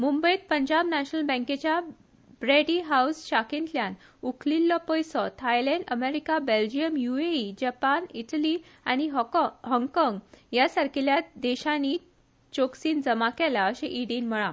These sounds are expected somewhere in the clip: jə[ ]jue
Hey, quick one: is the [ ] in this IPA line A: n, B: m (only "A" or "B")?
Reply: B